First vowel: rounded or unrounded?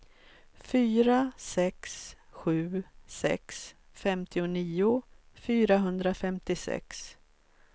rounded